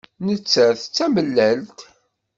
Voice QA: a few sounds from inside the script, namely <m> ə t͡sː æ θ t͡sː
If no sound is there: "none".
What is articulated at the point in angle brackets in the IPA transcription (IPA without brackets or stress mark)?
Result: n